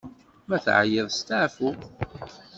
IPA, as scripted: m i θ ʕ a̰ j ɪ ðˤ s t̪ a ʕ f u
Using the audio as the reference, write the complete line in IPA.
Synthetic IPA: m æ θ ʕ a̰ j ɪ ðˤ s t̪ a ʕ f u